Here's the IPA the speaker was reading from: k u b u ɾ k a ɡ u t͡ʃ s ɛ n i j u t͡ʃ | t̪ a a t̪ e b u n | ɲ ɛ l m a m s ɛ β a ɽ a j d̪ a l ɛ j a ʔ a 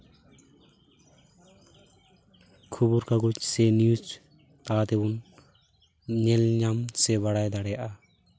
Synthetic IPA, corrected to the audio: kʰ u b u ɾ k a ɡ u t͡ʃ s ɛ n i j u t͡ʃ | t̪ a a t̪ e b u n | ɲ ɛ l ɲ a m s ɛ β a ɽ a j d̪ a ɽ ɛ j a ʔ a

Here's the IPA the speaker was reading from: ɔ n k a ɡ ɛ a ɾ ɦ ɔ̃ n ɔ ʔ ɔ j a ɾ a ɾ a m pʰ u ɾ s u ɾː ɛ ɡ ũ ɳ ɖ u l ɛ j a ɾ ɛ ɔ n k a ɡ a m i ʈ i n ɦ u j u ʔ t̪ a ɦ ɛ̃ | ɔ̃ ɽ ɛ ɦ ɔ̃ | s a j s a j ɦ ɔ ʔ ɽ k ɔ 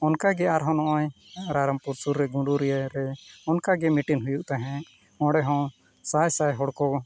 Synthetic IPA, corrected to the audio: ɔ n k a ɡ ɛ a ɾ ɦ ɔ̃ n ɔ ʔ ɔ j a ɾ a ɾ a m p u ɾ s u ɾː ɛ ɡ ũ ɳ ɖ u ɾ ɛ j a ɾ ɛ ɔ n k a ɡ ɛ m i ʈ i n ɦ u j u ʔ t̪ a ɦ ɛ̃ | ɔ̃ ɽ ɛ ɦ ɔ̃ | s a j s a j ɦ ɔ ɽ k ɔ

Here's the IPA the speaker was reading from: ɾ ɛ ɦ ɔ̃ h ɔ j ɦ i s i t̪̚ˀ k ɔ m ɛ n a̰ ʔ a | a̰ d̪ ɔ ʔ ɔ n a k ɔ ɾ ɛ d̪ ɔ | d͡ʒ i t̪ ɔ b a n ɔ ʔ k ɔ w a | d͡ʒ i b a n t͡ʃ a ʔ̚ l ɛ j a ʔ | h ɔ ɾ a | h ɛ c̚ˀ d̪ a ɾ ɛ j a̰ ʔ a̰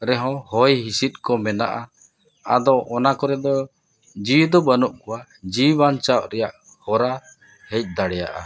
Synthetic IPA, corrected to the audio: ɾ ɛ ɦ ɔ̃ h ɔ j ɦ i s i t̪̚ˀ k ɔ m ɛ n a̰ ʔ a | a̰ d̪ ɔ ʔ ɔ n a k ɔ ɾ ɛ d̪ ɔ | d͡ʒ i d̪ ɔ b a n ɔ ʔ k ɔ w a | d͡ʒ i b a n t͡ʃ a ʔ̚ ɾ ɛ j a ʔ | h ɔ ɾ a | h ɛ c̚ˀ d̪ a ɽ ɛ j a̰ ʔ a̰

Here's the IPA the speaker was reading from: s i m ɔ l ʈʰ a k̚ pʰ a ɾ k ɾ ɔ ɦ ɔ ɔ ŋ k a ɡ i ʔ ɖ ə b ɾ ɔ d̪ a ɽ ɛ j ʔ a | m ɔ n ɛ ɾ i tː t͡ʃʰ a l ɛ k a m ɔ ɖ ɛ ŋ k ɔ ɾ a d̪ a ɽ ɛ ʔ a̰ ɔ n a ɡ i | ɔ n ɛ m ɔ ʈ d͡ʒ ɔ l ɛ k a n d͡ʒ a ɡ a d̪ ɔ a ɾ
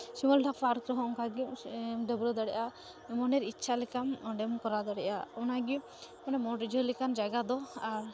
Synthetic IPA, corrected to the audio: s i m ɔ l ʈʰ a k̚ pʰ a ɾ k ɾ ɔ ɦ ɔ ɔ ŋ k a ɡ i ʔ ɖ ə b ɾ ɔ d̪ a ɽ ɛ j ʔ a | m ɔ n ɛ ɾ i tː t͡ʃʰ a l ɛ k a m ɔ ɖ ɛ m k ɔ ɾ a d̪ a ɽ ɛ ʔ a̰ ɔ n a ɡ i | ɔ n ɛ m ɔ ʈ d͡ʒ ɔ l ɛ k a n d͡ʒ a ɡ a d̪ ɔ a ɾ

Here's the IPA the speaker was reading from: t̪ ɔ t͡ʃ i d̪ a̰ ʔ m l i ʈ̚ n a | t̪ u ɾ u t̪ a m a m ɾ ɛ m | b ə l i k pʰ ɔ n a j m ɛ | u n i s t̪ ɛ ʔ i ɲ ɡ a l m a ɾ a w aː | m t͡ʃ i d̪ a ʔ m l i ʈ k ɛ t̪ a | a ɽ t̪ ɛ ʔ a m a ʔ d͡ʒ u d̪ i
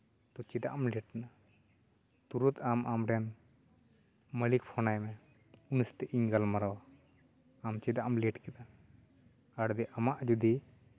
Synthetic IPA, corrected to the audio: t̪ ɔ t͡ʃ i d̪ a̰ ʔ m l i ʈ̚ n a | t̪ u ɾ u t̪ a m a m ɾ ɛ n | m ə l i k pʰ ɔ n a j m ɛ | u n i s t̪ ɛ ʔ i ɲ ɡ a l m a ɾ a w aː | m t͡ʃ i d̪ a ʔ m l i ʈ k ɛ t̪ a | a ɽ d̪ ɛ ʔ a m a ʔ d͡ʒ u d̪ i

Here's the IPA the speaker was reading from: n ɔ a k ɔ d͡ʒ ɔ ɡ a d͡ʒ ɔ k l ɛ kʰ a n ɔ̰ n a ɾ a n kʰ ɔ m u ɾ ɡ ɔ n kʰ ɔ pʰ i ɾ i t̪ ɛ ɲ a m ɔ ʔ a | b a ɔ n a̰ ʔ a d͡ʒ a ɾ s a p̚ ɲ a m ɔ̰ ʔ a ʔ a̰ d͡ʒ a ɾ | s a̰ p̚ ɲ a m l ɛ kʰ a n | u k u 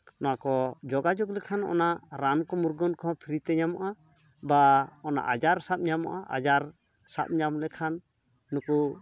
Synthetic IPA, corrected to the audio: n ɔ a k ɔ d͡ʒ ɔ ɡ a d͡ʒ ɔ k l ɛ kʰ a n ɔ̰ n a ɾ a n k ɔ m u ɾ ɡ ɔ n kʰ ɔ pʰ i ɾ i t̪ ɛ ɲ a m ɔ ʔ a | b a ɔ n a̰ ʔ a d͡ʒ a ɾ s a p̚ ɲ a m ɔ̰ ʔ a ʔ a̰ d͡ʒ a ɾ | s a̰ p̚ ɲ a m l ɛ kʰ a nː | u k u

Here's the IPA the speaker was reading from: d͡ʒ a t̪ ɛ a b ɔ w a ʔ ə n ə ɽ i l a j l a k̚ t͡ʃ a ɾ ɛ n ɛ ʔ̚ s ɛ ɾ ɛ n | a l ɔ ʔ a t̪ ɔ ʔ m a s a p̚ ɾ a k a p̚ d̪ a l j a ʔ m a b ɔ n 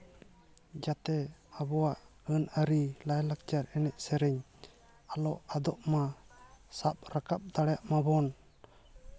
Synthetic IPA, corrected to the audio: d͡ʒ a t̪ ɛ a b ɔ w a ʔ ə n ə ɾ i l a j l a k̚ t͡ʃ a ɾ ɛ n ɛ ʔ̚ s ɛ ɾ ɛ ɲ | a l ɔ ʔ a d̪ ɔ ʔ m a s a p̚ ɾ a k a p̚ d̪ a ɽ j a ʔ m a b ɔ n

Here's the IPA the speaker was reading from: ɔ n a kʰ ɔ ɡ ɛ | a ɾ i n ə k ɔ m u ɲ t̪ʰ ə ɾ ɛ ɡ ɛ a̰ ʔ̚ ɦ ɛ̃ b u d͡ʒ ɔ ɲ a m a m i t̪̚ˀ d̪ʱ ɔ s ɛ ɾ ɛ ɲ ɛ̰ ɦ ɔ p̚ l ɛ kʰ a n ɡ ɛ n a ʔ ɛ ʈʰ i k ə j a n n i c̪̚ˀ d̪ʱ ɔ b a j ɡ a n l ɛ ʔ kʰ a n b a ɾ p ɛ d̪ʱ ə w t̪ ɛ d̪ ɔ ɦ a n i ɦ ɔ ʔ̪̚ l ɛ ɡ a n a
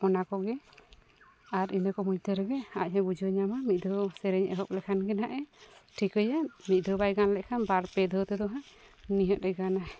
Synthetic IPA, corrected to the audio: ɔ n a k ɔ ɡ ɛ | a ɾ i n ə k ɔ m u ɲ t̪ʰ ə ɾ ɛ ɡ ɛ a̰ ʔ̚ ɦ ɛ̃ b u d͡ʒ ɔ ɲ a m a m i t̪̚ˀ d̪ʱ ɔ s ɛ ɾ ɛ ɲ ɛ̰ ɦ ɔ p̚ l ɛ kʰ a n ɡ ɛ n a ʔ ɛ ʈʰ i k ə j a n m i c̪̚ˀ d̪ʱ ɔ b a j ɡ a n l ɛ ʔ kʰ a n b a ɾ p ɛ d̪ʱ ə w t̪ ɛ d̪ ɔ ɦ a n i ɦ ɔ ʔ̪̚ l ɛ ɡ a n a

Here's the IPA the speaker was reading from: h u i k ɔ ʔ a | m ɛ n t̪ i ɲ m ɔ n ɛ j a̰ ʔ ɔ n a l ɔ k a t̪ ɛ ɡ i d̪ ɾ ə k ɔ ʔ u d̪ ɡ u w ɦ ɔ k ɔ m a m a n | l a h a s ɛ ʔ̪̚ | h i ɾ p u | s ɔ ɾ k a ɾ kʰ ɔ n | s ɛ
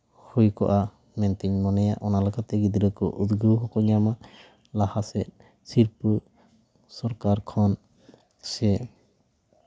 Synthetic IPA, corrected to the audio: h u j k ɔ ʔ a | m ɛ n t̪ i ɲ m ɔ n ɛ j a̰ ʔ ɔ n a l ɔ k a t̪ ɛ ɡ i d̪ ɾ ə k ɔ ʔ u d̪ ɡ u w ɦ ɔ k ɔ ɲ a m a | l a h a s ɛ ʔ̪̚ | s i ɾ p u | s ɔ ɾ k a ɾ kʰ ɔ n | s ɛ

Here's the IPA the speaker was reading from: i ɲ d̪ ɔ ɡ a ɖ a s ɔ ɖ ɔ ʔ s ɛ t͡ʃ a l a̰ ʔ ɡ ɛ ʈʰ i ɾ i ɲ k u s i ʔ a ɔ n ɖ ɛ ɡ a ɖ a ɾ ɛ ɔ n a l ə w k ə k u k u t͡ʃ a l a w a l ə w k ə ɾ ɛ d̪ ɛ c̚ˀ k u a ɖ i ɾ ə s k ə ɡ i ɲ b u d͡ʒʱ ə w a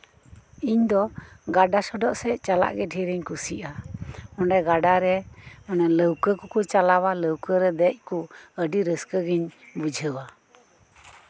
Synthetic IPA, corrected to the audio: i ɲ d̪ ɔ ɡ a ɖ a s ɔ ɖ ɔ ʔ s ɛ t͡ʃ a l a̰ ʔ ɡ ɛ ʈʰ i ɾ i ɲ k u s i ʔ a ɔ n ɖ ɛ ɡ a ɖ a ɾ ɛ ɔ n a l ə w k ə k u k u t͡ʃ a l a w a l ə w k ə ɾ ɛ d̪ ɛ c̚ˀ k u ə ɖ i ɾ ə s k ə ɡ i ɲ b u d͡ʒʱ ə w a

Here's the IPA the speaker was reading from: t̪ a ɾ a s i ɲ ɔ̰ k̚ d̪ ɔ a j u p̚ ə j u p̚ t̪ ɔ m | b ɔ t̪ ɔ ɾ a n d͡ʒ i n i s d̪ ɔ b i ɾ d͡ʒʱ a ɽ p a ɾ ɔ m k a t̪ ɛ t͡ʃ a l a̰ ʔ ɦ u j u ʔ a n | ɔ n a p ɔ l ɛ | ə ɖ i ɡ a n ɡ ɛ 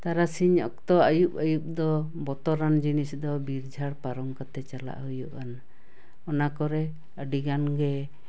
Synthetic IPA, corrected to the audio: t̪ a ɾ a s i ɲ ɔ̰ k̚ t̪ ɔ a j u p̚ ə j u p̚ d̪ ɔ | b ɔ t̪ ɔ ɾ a n d͡ʒ i n i s d̪ ɔ b i ɾ d͡ʒʱ a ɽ p a ɾ ɔ m k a t̪ ɛ t͡ʃ a l a̰ ʔ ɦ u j u ʔ a n | ɔ n a k ɔ ɾ ɛ | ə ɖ i ɡ a n ɡ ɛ

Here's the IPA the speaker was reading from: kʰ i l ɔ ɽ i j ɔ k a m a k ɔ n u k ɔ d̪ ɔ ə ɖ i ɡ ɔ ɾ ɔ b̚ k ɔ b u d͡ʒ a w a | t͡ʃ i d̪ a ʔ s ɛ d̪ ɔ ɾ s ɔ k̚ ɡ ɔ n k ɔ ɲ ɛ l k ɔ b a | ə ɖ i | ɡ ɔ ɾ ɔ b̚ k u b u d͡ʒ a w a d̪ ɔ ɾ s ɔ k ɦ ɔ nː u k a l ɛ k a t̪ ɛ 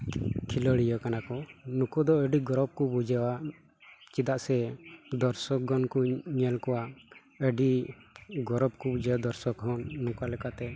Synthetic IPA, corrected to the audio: kʰ i l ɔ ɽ i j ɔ k a n a k ɔ n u k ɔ d̪ ɔ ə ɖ i ɡ ɔ ɾ ɔ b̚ k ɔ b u d͡ʒ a w a | t͡ʃ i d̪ a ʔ s ɛ d̪ ɔ ɾ s ɔ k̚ ɡ ɔ n k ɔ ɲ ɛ l k ɔ w a | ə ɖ i | ɡ ɔ ɾ ɔ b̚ k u b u d͡ʒ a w a d̪ ɔ ɾ s ɔ k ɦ ɔ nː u k a l ɛ k a t̪ ɛ

